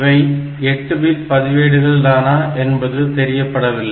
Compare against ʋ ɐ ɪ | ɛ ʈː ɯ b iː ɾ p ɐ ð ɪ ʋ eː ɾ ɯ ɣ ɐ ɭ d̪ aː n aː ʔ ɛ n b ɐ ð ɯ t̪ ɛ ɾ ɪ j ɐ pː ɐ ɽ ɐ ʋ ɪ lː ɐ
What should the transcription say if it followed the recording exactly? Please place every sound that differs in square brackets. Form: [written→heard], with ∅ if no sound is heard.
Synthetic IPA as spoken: ʋ ɐ ɪ | ɛ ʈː ɯ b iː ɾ p ɐ ð ɪ ʋ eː [ɾ→ɽ] ɯ ɣ ɐ ɭ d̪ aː n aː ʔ ɛ n b ɐ ð ɯ t̪ ɛ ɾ ɪ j ɐ pː ɐ ɽ ɐ ʋ ɪ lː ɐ